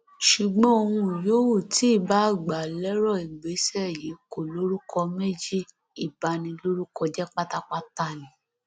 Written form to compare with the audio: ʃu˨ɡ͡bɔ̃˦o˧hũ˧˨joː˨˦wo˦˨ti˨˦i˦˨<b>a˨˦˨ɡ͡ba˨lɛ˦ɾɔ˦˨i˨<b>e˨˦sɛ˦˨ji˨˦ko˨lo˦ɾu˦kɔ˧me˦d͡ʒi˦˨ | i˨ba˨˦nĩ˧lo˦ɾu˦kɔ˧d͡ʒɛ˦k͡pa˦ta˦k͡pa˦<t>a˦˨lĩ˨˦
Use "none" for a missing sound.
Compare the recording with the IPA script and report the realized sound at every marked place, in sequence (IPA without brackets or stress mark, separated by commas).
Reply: b, ɡ͡b, t